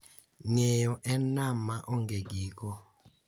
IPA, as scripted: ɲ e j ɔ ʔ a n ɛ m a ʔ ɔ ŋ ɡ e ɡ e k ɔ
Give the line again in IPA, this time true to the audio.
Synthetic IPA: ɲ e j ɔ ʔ ɛ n a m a ʔ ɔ ŋ ɡ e ɡ i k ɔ